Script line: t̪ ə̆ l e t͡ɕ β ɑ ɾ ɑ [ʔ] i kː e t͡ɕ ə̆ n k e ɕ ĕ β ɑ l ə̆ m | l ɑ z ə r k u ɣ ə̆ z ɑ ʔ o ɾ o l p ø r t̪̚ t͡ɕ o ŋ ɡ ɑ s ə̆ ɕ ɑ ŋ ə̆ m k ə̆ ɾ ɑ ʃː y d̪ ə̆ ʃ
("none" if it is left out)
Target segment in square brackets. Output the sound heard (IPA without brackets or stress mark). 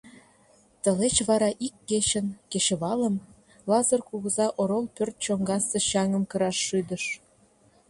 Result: ʔ